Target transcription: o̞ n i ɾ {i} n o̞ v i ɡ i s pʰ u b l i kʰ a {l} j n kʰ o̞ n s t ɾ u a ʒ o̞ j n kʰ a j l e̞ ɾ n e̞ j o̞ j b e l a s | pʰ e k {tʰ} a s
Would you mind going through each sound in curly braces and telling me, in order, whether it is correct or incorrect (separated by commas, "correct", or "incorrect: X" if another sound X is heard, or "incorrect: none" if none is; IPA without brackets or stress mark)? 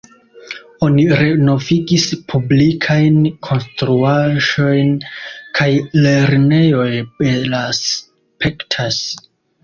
incorrect: e, incorrect: none, correct